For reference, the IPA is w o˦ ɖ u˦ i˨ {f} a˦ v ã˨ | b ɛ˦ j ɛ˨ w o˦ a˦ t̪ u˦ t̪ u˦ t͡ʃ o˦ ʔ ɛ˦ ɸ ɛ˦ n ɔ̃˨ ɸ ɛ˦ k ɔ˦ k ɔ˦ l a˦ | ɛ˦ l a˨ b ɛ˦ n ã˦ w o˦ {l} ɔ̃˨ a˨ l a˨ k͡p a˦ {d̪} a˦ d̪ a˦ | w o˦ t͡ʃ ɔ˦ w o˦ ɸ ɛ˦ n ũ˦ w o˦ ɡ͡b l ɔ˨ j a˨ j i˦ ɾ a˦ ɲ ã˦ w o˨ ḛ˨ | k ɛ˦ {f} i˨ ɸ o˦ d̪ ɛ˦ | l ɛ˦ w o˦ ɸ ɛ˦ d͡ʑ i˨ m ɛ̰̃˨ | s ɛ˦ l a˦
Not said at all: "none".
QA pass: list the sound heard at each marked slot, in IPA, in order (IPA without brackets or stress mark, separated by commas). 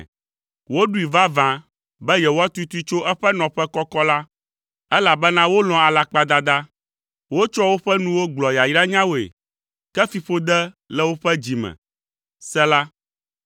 v, l, d̪, f